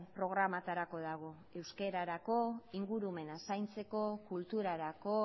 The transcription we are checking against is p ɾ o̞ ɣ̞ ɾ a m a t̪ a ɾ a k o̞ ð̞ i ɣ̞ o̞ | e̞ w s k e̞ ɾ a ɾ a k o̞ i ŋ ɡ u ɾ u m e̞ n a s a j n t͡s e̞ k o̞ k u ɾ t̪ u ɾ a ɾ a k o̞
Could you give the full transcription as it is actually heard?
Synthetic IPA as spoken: p ɾ o̞ ɣ̞ ɾ a m a t̪ a ɾ a k o̞ ð̞ a ɣ̞ o̞ | e̞ w s k e̞ ɾ a ɾ a k o̞ i ŋ ɡ u ɾ u m e̞ n a s a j n t͡s e̞ k o̞ k u l t̪ u ɾ a ɾ a k o̞